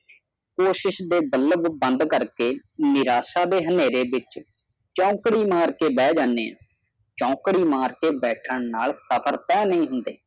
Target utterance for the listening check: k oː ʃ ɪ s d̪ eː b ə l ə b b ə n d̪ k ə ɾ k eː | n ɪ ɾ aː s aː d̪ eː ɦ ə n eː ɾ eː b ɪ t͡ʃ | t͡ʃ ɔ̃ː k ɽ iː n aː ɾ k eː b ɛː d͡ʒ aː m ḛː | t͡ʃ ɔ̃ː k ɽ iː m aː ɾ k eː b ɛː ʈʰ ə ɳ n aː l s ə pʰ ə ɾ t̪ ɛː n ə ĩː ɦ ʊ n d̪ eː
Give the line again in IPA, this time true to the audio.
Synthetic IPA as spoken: k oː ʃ ɪ ʃ d̪ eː b ə l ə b b ə n d̪ k ə ɾ k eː | n ɪ ɾ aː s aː d̪ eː ɦ ə n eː ɾ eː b ɪ t͡ʃ | t͡ʃ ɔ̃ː k ɽ iː m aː ɾ k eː b ɛː d͡ʒ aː n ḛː | t͡ʃ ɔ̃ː k ɽ iː m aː ɾ k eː b ɛː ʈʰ ə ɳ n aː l s ə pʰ ə ɾ t̪ ɛː n ə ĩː ɦ ʊ n d̪ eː

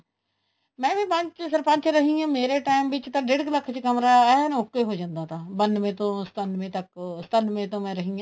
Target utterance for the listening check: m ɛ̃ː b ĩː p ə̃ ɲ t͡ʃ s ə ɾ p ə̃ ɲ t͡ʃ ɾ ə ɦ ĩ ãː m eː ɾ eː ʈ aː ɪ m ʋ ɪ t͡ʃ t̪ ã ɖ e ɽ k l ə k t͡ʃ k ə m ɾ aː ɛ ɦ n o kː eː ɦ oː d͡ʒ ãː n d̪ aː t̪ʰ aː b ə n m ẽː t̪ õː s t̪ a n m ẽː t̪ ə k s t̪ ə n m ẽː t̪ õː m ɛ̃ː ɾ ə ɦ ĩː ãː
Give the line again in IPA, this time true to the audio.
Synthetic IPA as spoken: m ɛ̃ː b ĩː p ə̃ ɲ t͡ʃ s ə ɾ p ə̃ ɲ t͡ʃ ɾ ə ɦ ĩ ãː m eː ɾ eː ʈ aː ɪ m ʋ ɪ t͡ʃ t̪ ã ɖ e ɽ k l ə kʰ t͡ʃ k ə m ɾ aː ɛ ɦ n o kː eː ɦ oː d͡ʒ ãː n d̪ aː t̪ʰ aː b ə n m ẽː t̪ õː s t̪ ə n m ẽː t̪ ə k s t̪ ə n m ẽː t̪ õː m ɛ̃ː ɾ ə ɦ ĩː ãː

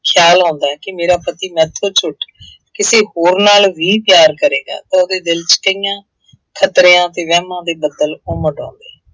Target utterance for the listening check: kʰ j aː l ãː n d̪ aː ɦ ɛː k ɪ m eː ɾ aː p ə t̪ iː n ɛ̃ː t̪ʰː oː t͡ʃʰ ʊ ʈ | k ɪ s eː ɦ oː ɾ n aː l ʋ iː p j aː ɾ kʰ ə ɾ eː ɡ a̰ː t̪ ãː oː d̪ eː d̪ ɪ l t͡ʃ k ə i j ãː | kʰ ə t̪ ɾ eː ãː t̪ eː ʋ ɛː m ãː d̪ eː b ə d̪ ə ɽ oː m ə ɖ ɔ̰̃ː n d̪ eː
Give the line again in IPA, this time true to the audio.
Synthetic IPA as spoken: kʰ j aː l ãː n d̪ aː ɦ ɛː k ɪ m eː ɾ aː p ə t̪ iː m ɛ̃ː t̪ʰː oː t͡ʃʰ ʊ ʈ | k ɪ s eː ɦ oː ɾ n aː l ʋ iː p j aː ɾ k ə ɾ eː ɡ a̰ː t̪ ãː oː d̪ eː d̪ ɪ l t͡ʃ k ə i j ãː | kʰ ə t̪ ɾ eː ãː t̪ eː ʋ ɛː m ãː d̪ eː b ə d̪ ə l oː m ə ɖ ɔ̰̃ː n d̪ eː

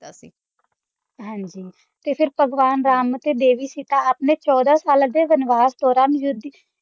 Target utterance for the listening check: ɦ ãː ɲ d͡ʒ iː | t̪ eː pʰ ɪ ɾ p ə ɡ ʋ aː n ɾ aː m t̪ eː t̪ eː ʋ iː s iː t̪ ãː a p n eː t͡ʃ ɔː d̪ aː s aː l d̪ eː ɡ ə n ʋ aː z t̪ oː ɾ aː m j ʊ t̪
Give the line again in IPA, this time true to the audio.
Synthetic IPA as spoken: ɦ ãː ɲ d͡ʒ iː | t̪ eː pʰ ɪ ɾ p ə ɡ ʋ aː n ɾ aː m t̪ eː d̪ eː ʋ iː s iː t̪ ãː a p n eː t͡ʃ ɔː d̪ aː s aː l d̪ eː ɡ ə n ʋ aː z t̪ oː ɾ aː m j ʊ d̪

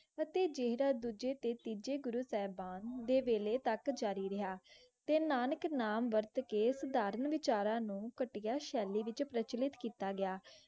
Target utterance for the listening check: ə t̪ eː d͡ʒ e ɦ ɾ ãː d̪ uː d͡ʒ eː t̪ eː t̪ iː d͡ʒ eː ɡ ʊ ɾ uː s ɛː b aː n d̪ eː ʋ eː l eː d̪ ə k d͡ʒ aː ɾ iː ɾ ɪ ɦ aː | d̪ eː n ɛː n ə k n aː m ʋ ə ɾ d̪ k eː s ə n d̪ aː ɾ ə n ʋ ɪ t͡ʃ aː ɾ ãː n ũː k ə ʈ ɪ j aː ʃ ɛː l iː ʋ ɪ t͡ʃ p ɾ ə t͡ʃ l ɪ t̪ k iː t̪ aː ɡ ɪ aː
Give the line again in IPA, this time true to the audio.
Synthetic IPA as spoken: ə t̪ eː d͡ʒ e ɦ ɾ aː d̪ uː d͡ʒ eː t̪ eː t̪ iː d͡ʒ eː ɡ ʊ ɾ uː s ɛː b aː n d̪ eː ʋ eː l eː t̪ ə k d͡ʒ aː ɾ iː ɾ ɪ ɦ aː | t̪ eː n aː n ə k n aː m ʋ ə ɾ t̪ k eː s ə d̪ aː ɾ ə n ʋ ɪ t͡ʃ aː ɾ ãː n ũː k ə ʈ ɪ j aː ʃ ɛː l iː ʋ ɪ t͡ʃ p ɾ ə t͡ʃ l ɪ t̪ k iː t̪ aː ɡ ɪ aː

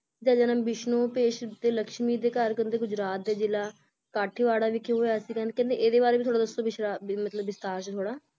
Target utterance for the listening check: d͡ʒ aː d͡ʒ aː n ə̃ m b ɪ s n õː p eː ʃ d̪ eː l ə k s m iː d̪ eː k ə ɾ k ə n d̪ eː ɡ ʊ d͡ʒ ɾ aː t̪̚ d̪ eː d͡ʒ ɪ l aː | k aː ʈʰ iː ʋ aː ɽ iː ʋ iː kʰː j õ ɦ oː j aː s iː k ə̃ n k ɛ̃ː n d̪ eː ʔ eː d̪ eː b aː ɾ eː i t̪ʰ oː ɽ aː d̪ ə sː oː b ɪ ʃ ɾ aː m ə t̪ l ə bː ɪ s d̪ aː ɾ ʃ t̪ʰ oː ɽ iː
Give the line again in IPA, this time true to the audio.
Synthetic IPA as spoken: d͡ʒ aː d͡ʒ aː n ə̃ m b ɪ ʃ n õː p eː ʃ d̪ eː l ə k ʃ m iː d̪ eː k ə ɾ k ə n d̪ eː ɡ ʊ d͡ʒ ɾ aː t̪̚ d̪ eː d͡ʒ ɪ l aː | k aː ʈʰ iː ʋ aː ɽ aː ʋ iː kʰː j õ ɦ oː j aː s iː k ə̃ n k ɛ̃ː n d̪ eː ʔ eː d̪ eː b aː ɾ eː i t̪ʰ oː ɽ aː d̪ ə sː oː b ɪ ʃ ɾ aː m ə t̪ l ə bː ɪ s t̪ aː ɾ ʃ t̪ʰ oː ɽ aː

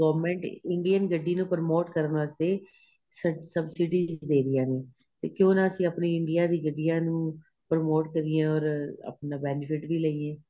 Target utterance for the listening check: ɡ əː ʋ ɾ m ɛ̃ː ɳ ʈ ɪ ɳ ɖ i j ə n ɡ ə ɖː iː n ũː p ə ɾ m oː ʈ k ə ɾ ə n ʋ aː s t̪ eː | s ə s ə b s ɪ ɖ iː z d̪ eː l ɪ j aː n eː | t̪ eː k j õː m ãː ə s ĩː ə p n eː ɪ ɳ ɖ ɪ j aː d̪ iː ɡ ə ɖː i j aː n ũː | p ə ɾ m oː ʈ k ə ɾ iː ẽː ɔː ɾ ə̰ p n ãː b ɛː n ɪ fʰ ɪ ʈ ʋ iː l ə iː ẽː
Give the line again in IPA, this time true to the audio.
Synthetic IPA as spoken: ɡ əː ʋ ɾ m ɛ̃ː ɳ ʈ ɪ ɳ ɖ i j ə n ɡ ə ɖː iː n ũː p ə ɾ m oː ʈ k ə ɾ ə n ʋ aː s t̪ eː | s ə s ə b s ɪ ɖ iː z d̪ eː ɾ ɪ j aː n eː | t̪ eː k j õː n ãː ə s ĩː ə p n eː ɪ ɳ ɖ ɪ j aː d̪ iː ɡ ə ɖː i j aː n ũː | p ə ɾ m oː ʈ k ə ɾ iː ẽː ɔː ɾ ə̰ p n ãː b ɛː n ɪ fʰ ɪ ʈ ʋ iː l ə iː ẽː

